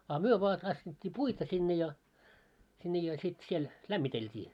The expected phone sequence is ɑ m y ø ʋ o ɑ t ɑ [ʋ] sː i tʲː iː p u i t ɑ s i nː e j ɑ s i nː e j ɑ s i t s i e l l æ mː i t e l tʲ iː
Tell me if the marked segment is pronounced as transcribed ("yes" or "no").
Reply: no